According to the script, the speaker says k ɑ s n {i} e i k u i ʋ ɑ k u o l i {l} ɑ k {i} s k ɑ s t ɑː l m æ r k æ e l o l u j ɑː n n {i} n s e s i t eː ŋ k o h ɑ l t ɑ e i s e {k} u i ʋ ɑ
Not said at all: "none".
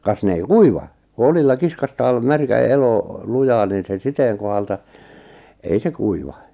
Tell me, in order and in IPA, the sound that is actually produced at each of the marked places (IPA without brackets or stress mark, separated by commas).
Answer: e, lː, i, iː, k